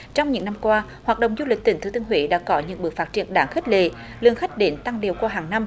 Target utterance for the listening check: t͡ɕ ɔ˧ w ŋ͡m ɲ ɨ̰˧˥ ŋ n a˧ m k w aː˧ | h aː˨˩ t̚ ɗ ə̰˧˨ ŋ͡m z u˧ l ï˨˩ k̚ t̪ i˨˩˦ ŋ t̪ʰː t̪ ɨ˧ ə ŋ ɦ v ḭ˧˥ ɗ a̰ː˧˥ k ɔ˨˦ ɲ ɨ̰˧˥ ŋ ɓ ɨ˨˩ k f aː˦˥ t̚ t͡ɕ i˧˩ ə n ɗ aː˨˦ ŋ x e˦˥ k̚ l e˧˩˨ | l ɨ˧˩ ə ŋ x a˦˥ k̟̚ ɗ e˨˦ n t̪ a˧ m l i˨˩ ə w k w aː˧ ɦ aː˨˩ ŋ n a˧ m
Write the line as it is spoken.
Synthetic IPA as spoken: t͡ɕ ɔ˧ w ŋ͡m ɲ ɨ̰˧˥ ŋ n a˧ m k w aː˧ | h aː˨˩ t̚ ɗ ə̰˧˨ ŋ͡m z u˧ l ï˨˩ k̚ t̪ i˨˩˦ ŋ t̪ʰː t̪ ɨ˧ ə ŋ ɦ w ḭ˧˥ ɗ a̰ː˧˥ k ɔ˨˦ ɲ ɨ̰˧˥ ŋ ɓ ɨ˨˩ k f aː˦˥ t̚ t͡ɕ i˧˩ ə n ɗ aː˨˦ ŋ x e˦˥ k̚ l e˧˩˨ | l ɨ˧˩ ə ŋ x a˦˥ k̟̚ ɗ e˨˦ n t̪ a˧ ŋ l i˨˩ ə w k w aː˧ ɦ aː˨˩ ŋ n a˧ m